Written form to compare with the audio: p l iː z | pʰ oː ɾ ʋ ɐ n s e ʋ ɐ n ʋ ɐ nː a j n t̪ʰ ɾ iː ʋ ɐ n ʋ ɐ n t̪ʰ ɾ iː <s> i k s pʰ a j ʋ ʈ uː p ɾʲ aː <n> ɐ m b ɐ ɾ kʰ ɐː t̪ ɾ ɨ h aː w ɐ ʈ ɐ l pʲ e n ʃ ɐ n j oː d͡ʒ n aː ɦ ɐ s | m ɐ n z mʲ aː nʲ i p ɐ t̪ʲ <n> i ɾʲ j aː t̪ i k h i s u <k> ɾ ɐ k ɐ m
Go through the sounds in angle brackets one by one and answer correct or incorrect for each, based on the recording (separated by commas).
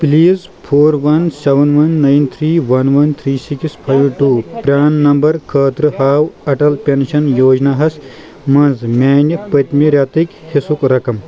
correct, incorrect, incorrect, correct